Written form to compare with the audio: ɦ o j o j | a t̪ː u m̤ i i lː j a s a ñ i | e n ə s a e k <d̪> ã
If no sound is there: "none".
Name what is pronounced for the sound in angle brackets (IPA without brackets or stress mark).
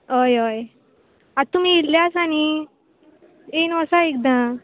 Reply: d̪